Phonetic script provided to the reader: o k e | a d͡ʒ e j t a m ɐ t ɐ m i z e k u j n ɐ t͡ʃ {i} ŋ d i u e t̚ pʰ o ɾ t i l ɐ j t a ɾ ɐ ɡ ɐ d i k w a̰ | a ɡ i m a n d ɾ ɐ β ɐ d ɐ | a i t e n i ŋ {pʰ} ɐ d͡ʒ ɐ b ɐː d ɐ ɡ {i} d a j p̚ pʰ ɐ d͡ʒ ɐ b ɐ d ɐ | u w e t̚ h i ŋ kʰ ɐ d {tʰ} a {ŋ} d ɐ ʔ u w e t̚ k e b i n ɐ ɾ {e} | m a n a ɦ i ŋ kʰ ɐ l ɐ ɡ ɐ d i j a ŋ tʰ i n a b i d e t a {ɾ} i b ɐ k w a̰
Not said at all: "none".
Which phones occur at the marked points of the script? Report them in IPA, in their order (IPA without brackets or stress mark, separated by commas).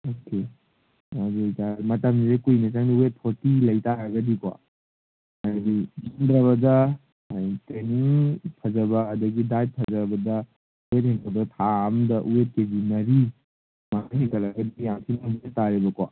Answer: a, pʰ, i, tʰ, m, i, ɾ